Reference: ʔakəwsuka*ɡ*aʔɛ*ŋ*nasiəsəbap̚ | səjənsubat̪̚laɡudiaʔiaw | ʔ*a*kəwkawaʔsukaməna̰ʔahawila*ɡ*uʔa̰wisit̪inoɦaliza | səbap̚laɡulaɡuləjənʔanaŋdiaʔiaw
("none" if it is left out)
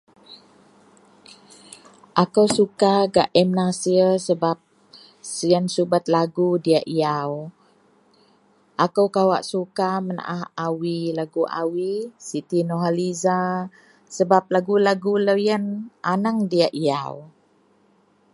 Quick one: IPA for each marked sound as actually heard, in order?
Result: ɡ, m, a, ɡ

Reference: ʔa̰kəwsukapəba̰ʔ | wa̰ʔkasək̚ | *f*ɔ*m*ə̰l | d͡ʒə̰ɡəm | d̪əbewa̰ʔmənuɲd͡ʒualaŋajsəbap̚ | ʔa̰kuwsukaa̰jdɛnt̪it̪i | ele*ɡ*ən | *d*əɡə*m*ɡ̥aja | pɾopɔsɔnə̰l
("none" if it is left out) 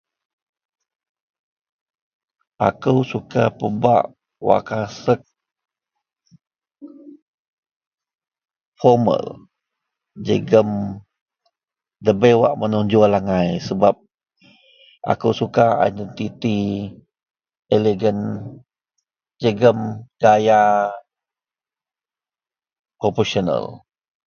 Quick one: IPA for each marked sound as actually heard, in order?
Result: f, m, ɡ, d͡ʒ, m

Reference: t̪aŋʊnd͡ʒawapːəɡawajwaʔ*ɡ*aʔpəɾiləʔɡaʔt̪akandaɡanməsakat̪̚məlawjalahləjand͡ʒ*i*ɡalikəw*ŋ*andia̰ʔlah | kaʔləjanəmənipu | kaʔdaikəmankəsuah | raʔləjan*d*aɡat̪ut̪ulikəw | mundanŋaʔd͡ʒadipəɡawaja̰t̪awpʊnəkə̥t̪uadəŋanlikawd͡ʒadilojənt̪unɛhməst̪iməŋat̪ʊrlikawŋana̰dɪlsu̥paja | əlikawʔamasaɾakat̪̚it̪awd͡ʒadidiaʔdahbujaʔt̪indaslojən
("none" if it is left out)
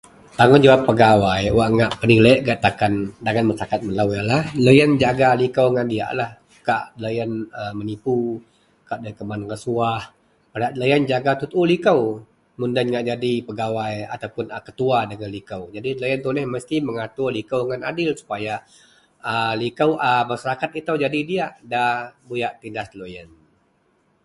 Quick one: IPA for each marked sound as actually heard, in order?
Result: ŋ, a, ŋ, d͡ʒ

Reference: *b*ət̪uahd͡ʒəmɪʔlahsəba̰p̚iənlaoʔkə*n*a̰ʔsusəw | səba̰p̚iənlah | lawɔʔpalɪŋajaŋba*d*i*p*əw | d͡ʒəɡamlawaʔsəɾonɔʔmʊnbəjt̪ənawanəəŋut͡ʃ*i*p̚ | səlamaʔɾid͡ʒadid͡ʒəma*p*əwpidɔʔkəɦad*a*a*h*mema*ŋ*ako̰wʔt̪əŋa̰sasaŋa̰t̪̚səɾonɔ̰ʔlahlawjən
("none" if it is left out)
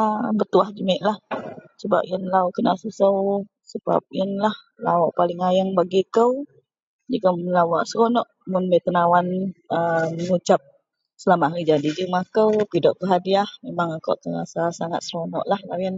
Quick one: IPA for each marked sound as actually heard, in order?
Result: b, n, ɡ, k, a, k, i, h, ŋ

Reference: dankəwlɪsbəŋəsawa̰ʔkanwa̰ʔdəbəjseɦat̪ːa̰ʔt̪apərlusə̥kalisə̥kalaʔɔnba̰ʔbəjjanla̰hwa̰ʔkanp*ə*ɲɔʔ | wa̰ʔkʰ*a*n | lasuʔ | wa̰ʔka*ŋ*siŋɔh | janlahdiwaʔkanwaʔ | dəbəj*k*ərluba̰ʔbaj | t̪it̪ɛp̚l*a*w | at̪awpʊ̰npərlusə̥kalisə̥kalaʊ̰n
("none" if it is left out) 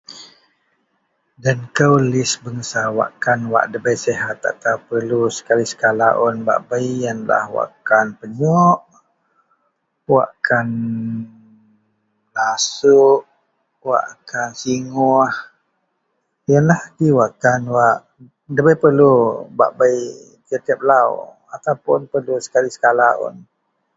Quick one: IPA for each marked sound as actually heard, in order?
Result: ə, a, n, p, a

